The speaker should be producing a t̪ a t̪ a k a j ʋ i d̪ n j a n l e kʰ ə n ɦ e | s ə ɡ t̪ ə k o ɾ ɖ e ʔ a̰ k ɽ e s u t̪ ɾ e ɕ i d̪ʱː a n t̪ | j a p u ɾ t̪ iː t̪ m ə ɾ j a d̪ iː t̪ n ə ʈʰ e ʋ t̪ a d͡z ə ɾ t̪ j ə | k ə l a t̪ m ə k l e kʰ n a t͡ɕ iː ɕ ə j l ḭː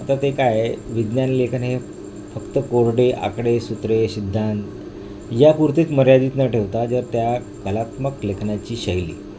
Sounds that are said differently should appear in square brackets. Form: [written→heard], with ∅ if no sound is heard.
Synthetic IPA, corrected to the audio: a t̪ a t̪ [a→e] k a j ʋ i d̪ n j a n l e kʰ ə n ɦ e | [s→f] ə [ɡ→k] t̪ ə k o ɾ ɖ e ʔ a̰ k ɽ e s u t̪ ɾ e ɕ i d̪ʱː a n t̪ | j a p u ɾ t̪ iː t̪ m ə ɾ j a d̪ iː t̪ n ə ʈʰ e ʋ t̪ a d͡z ə ɾ t̪ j [ə→a] | k ə l a t̪ m ə k l e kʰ n a t͡ɕ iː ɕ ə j l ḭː

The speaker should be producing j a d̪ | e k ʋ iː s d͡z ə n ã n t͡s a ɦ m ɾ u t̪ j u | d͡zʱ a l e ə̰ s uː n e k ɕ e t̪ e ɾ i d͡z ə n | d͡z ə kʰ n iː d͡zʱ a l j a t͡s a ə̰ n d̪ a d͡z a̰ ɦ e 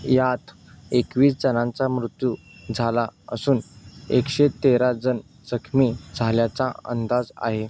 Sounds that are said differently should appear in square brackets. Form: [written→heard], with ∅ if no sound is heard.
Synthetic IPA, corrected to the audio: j a [d̪→t̪] | e k ʋ iː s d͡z ə n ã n t͡s a [ɦ→∅] m ɾ u t̪ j u | d͡zʱ a l [e→a] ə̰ s uː n e k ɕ e t̪ e ɾ [i→a] d͡z ə n | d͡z ə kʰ [n→m] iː d͡zʱ a l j a t͡s a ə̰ n d̪ a d͡z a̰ ɦ e

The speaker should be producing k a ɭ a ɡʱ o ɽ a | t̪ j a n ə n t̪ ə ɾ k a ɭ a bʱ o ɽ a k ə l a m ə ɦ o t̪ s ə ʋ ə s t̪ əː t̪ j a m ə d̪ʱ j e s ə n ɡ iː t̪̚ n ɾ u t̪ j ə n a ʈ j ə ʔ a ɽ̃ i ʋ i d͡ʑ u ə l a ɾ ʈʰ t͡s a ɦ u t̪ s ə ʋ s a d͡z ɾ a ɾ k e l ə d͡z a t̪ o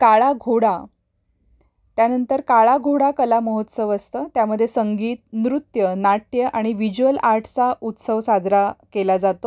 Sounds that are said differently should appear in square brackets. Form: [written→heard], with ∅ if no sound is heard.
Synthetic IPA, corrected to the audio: k a ɭ a ɡʱ o ɽ a | t̪ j a n ə n t̪ ə ɾ k a ɭ a [bʱ→ɡʱ] o ɽ a k ə l a m ə ɦ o t̪ s ə ʋ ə s t̪ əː t̪ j a m ə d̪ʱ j e s ə [n→ŋ] ɡ iː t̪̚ n ɾ u t̪ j ə n a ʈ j ə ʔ a ɽ̃ i ʋ i d͡ʑ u ə l a ɾ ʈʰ t͡s a [ɦ→∅] u t̪ s ə ʋ s a d͡z ɾ a [ɾ→∅] k e l [ə→a] d͡z a t̪ o

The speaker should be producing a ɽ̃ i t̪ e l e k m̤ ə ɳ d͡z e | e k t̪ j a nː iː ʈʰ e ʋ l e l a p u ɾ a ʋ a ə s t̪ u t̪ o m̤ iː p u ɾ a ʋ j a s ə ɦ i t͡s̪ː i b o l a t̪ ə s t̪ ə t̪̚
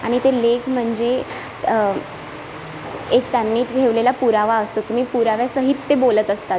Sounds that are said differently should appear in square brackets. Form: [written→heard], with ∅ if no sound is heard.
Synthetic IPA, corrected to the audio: a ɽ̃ i t̪ e l e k m̤ ə ɳ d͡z e | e k t̪ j a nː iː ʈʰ e ʋ l e l a p u ɾ a ʋ a ə s t̪ [u→o] t̪ [o→u] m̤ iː p u ɾ a ʋ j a s ə ɦ i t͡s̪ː [i→e] b o l [a→ə] t̪ ə s t̪ [ə→a] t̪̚

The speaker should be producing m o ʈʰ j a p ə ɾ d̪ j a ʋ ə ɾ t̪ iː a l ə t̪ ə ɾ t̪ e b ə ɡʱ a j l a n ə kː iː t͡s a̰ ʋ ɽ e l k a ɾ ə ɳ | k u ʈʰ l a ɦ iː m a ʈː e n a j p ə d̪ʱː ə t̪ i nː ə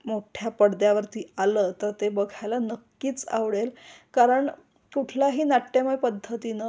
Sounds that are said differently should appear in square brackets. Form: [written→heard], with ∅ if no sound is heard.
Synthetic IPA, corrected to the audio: m o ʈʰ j a p ə [ɾ→ɽ] d̪ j a ʋ ə ɾ t̪ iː a l ə t̪ ə ɾ t̪ e b ə ɡʱ a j l a n ə kː iː t͡s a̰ ʋ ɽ e l k a ɾ ə ɳ | k u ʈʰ l a ɦ iː [m→n] a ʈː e [n→m] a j p ə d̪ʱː ə t̪ i [nː→n] ə

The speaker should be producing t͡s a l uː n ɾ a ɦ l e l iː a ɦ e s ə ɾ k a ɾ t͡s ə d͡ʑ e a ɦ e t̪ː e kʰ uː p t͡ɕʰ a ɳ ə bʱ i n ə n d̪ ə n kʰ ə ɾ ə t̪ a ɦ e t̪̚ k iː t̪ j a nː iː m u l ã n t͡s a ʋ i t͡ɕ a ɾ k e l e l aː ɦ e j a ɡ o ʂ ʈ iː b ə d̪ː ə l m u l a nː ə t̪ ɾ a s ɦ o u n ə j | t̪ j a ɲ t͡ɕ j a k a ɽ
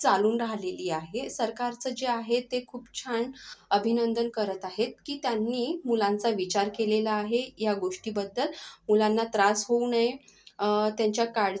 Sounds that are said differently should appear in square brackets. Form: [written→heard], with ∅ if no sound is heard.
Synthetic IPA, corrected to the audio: t͡s a l uː n ɾ a ɦ l e l iː a ɦ e s ə ɾ k a ɾ t͡s ə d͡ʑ e a ɦ e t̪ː e kʰ uː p t͡ɕʰ a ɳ ə bʱ i n ə n d̪ ə n [kʰ→k] ə ɾ ə t̪ a ɦ e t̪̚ k iː t̪ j a nː iː m u l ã n t͡s a ʋ i t͡ɕ a ɾ k e l e l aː ɦ e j a ɡ o ʂ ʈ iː b ə d̪ː ə l m u l a nː [ə→a] t̪ ɾ a s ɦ o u n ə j | t̪ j a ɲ t͡ɕ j a k a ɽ

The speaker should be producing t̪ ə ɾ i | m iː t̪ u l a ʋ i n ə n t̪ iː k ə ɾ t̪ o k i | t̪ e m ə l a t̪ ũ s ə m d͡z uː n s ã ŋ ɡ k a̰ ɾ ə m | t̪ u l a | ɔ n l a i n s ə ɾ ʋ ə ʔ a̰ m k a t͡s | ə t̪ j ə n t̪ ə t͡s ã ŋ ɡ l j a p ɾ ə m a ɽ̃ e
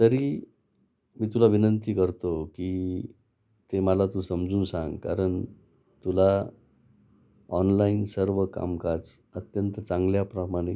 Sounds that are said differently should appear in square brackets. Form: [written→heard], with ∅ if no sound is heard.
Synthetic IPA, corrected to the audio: t̪ ə ɾ i | m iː t̪ u l a ʋ i n ə n t̪ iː k ə ɾ t̪ o k i | t̪ e m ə l a t̪ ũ s ə m d͡z uː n s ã ŋ ɡ k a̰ ɾ ə [m→ɳ] | t̪ u l a | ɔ n l a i n s ə ɾ ʋ ə [ʔ→k] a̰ m k a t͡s | ə t̪ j ə n t̪ ə t͡s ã ŋ ɡ l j a p ɾ ə m a ɽ̃ e

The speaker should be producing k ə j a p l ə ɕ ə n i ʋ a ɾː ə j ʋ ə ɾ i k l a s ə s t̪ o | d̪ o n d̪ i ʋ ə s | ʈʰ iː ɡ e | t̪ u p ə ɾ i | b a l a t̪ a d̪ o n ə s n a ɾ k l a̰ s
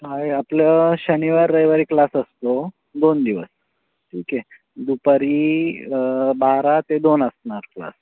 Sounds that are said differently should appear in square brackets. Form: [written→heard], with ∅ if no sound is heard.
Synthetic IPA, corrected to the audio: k [ə→a] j a p l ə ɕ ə n i ʋ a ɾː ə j ʋ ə ɾ i k l a s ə s t̪ o | d̪ o n d̪ i ʋ ə s | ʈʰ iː [ɡ→k] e | [t̪→d̪] u p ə ɾ i | b a [l→ɾ] a t̪ [a→e] d̪ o n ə s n a ɾ k l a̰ s

